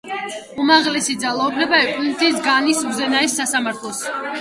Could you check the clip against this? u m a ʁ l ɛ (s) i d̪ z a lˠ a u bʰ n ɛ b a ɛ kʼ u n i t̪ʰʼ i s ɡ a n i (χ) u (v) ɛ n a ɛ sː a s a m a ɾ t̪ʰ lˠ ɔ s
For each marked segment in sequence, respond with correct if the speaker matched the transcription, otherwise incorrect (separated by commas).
correct, incorrect, incorrect